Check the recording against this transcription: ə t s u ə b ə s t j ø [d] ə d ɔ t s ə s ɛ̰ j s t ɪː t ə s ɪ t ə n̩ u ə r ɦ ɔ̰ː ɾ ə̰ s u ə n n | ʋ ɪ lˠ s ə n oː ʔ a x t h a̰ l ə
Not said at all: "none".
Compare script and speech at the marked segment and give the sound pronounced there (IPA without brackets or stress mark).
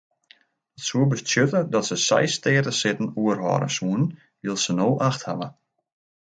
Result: t